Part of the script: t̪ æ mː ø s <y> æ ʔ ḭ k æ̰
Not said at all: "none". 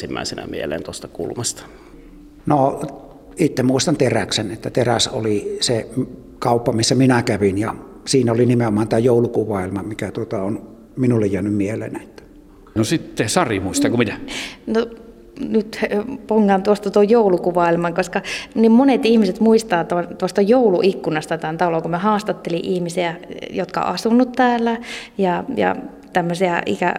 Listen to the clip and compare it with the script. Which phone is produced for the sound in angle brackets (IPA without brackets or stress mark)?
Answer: i